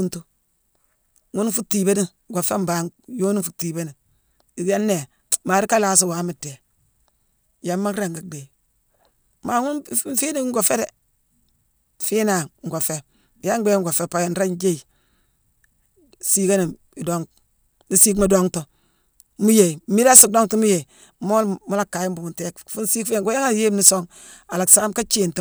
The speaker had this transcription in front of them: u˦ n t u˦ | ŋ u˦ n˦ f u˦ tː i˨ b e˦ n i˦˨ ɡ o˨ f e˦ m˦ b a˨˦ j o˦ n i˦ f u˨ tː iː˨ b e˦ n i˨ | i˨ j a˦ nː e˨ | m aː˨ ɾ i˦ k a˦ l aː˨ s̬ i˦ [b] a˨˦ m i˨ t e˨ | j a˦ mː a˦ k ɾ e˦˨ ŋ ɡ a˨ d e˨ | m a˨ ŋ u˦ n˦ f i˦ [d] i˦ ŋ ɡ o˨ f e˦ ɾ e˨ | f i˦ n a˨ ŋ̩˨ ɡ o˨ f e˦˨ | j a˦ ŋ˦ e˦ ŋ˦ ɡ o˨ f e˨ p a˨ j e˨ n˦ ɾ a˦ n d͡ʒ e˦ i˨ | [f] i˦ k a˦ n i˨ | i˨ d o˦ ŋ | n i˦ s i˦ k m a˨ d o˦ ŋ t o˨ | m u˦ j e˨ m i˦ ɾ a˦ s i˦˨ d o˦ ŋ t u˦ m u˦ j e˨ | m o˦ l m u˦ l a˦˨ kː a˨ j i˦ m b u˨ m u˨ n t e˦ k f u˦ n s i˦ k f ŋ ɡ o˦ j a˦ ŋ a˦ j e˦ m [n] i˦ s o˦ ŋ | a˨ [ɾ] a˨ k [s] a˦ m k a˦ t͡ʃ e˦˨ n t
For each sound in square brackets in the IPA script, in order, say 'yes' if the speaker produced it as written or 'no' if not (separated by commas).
no, no, no, yes, no, yes